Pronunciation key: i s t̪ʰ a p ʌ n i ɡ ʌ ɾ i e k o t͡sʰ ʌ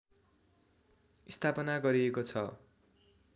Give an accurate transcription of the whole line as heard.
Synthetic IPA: i s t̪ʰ a p ʌ n a ɡ ʌ ɾ i e k o t͡sʰ ʌ